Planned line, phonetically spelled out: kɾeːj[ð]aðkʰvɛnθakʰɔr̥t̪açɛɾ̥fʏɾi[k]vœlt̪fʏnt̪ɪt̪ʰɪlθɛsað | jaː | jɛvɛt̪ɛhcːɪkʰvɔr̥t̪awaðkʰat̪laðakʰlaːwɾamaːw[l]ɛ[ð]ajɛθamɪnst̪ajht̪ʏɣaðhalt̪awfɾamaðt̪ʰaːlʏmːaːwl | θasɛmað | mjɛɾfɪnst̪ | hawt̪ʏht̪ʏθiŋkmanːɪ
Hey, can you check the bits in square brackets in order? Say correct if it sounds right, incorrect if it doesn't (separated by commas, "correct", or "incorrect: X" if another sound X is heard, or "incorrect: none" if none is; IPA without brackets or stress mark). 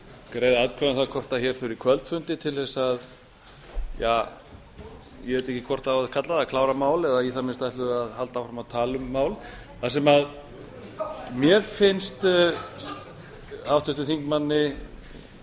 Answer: correct, incorrect: kʰ, correct, correct